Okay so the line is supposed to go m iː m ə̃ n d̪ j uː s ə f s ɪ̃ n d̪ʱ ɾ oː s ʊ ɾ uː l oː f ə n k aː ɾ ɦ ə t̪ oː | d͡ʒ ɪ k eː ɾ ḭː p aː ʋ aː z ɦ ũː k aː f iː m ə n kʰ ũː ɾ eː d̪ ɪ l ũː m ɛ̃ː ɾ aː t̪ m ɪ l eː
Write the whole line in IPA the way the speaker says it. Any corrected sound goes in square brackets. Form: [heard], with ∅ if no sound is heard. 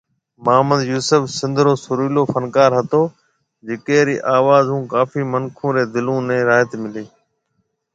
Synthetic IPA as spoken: m [aː] m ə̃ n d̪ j uː s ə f s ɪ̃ n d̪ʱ ɾ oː s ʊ ɾ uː l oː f ə n k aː ɾ ɦ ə t̪ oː | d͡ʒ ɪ k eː ɾ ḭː [ʔ] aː ʋ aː z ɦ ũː k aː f iː m ə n kʰ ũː ɾ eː d̪ ɪ l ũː [n] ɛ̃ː ɾ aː t̪ m ɪ l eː